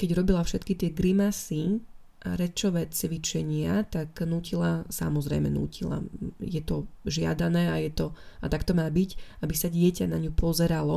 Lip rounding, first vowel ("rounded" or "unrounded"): unrounded